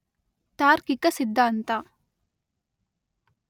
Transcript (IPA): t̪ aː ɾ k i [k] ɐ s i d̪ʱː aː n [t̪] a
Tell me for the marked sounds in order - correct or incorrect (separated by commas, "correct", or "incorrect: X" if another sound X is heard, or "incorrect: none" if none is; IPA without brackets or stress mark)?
correct, correct